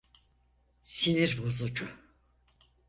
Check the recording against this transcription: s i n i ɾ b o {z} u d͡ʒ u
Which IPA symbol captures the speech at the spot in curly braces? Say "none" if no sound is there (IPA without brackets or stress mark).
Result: z